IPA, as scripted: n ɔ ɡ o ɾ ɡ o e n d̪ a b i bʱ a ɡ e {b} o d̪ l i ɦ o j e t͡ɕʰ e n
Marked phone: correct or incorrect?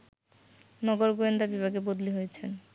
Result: correct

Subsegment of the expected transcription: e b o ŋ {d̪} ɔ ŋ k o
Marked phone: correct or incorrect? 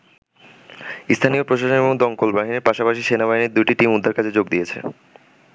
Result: correct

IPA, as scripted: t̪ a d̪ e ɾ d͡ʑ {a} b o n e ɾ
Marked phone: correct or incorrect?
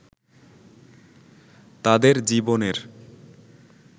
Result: incorrect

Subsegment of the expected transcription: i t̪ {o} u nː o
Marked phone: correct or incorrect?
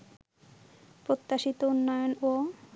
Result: correct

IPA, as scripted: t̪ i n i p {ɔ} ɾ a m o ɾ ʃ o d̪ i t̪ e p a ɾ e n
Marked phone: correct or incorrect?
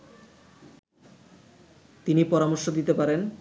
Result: correct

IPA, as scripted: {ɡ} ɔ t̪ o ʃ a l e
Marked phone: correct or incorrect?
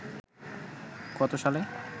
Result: incorrect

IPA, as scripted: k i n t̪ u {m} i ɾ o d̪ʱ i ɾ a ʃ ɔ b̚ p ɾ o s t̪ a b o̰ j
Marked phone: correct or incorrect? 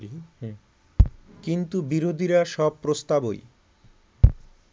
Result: incorrect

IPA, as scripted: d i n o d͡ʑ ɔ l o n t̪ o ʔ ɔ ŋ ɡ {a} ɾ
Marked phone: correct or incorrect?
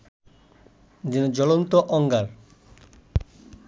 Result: correct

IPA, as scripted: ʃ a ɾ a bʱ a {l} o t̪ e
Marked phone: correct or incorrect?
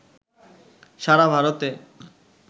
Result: incorrect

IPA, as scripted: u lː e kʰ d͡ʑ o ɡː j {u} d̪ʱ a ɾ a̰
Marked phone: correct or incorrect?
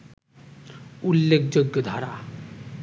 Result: incorrect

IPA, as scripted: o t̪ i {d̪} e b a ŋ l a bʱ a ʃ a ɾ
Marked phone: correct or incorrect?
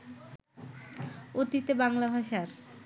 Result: incorrect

